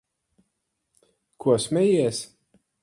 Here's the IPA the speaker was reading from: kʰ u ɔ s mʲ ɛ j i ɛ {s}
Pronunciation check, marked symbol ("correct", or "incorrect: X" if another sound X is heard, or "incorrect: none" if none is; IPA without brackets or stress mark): correct